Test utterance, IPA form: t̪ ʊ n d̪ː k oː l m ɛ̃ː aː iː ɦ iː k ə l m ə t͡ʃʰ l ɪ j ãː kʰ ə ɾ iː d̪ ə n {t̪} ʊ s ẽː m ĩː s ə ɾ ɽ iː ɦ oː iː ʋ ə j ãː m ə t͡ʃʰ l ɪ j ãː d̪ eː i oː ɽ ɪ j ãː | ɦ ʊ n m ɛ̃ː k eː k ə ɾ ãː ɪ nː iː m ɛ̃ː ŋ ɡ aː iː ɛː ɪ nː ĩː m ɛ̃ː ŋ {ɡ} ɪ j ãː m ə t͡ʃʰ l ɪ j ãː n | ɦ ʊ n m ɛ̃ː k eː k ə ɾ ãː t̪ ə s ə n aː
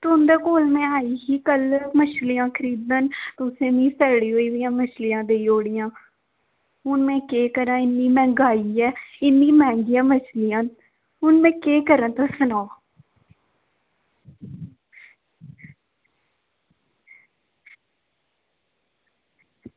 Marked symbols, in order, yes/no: yes, yes

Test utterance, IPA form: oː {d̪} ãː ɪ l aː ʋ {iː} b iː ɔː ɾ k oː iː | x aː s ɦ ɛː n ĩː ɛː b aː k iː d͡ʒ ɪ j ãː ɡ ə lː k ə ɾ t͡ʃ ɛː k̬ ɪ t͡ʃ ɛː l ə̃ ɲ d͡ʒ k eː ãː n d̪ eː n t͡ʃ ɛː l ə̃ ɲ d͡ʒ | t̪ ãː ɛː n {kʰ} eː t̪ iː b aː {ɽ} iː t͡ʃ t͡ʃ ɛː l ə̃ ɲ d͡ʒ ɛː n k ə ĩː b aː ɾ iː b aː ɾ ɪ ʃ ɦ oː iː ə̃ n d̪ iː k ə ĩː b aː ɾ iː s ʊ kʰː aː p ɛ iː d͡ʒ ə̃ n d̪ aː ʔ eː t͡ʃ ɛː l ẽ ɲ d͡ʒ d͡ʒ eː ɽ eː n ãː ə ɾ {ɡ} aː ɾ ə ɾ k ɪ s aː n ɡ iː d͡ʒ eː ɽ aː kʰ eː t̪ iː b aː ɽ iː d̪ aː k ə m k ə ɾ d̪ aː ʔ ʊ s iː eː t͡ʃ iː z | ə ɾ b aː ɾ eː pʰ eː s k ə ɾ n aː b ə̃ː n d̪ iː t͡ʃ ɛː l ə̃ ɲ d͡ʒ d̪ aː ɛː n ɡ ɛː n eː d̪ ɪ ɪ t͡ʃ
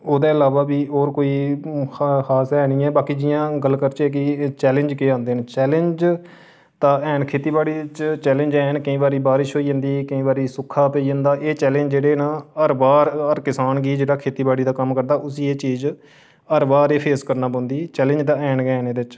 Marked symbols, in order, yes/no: yes, no, yes, yes, no

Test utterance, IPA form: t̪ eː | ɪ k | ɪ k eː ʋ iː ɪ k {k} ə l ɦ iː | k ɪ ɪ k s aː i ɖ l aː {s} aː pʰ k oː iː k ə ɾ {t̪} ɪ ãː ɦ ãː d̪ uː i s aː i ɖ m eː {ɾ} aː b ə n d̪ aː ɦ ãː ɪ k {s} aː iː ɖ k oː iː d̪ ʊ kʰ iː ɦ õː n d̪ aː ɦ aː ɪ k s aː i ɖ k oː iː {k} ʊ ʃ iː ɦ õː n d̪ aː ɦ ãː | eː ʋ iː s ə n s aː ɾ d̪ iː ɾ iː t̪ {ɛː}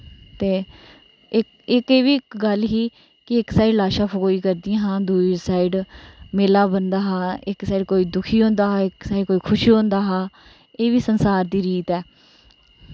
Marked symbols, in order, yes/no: no, no, no, no, yes, no, yes

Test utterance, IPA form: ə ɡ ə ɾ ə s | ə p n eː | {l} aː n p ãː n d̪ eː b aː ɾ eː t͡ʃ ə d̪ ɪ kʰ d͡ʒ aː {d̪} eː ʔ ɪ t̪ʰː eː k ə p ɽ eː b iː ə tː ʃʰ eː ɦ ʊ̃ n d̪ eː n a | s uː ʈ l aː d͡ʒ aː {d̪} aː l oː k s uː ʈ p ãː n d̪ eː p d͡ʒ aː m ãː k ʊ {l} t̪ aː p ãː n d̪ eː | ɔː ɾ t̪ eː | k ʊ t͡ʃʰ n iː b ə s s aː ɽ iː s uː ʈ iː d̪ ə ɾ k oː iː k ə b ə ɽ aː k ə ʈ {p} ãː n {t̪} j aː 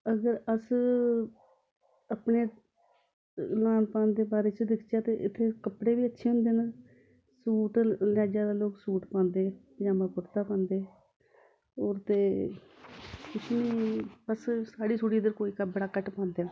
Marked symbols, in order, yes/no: yes, no, yes, no, yes, no

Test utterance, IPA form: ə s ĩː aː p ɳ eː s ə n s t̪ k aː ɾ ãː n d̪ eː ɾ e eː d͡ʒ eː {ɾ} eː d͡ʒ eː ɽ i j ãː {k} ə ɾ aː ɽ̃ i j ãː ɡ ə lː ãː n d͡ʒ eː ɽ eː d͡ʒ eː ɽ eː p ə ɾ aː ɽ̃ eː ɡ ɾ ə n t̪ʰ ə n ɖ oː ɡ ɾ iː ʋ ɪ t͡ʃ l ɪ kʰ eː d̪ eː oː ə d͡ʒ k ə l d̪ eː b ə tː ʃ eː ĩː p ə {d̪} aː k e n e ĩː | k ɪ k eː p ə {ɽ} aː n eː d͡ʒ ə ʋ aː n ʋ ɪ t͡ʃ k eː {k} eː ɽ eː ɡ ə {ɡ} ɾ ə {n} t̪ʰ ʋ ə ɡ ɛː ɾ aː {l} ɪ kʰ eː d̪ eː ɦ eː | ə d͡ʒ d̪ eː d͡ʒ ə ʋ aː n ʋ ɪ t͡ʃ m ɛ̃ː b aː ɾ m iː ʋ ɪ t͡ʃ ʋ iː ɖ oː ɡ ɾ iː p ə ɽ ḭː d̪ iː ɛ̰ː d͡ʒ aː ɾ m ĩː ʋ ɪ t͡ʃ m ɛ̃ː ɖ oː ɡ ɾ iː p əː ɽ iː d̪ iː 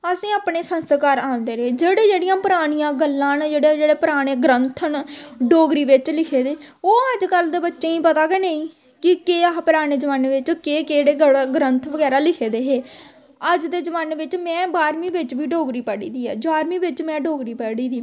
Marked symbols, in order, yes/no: no, no, no, no, yes, yes, yes, yes

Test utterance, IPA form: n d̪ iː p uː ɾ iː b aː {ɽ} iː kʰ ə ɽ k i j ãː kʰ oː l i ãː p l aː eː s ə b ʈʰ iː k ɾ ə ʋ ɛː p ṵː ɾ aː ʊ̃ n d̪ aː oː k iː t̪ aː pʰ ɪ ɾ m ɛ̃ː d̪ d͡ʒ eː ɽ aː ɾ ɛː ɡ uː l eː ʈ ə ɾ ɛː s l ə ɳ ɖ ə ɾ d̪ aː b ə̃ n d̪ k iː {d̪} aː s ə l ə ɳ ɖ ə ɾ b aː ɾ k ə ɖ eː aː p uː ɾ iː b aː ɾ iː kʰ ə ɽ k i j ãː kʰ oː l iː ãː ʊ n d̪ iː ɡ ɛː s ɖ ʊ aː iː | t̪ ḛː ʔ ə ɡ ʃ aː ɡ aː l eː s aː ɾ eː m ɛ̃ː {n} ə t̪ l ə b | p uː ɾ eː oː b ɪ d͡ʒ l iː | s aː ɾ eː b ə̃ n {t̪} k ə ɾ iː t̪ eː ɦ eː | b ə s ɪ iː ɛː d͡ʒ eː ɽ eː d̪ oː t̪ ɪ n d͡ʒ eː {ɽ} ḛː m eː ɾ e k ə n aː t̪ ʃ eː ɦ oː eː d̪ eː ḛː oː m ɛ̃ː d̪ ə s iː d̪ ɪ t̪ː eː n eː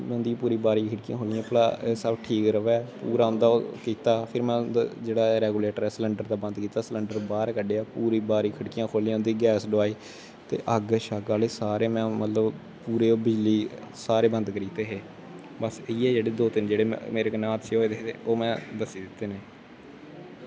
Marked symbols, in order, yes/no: no, no, no, no, yes

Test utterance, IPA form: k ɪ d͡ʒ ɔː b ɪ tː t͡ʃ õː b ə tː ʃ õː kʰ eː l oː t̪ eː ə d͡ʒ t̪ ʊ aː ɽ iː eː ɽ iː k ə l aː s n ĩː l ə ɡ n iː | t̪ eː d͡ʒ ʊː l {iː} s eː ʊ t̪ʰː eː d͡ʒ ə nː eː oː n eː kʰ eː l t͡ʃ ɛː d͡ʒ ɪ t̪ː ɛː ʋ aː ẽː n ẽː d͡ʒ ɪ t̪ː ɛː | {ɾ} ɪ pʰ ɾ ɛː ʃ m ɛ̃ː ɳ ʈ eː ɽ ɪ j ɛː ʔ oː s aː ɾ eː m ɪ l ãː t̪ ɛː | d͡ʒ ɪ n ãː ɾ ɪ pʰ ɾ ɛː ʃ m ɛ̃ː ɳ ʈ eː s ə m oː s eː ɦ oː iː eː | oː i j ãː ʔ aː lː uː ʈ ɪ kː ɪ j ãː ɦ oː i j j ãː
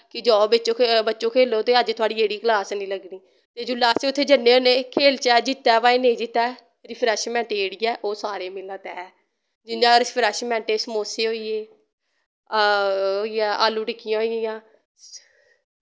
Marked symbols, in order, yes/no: no, yes

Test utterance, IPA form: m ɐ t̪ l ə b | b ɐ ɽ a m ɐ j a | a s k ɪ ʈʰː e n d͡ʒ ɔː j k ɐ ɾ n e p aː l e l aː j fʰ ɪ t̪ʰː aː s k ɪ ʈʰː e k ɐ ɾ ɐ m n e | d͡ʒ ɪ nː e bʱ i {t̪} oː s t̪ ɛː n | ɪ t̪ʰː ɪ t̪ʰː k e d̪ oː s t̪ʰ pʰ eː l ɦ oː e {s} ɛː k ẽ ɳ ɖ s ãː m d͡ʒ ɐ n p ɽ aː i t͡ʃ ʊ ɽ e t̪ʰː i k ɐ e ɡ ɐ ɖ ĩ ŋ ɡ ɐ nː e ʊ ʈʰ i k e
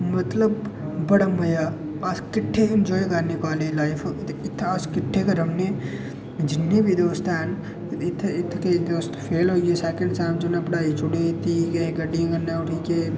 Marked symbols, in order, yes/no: no, yes

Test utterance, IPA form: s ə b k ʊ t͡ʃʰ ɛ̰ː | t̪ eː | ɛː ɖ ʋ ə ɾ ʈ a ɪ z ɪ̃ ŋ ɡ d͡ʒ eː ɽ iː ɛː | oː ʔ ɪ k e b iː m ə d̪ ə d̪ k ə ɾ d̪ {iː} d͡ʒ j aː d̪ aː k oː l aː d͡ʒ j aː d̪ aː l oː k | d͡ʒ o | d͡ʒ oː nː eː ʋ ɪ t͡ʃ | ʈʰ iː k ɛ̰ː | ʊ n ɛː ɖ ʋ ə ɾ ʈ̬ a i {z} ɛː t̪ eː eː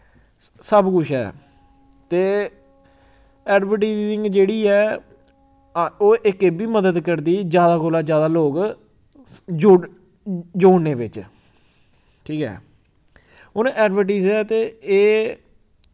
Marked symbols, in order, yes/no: yes, yes

